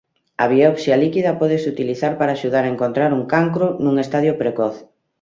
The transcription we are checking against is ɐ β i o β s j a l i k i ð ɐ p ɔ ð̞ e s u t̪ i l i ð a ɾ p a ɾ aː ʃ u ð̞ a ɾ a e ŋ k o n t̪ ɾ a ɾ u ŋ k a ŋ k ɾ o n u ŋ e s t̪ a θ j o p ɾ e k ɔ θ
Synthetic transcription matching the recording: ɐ β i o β s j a l i k i ð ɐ p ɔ ð̞ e s u t̪ i l i θ a ɾ p a ɾ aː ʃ u ð̞ a ɾ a e ŋ k o n t̪ ɾ a ɾ u ŋ k a ŋ k ɾ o n u ŋ e s t̪ a ð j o p ɾ e k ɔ θ